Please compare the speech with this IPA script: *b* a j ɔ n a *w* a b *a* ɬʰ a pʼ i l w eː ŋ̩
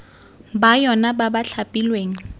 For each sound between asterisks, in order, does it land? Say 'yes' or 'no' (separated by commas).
yes, no, yes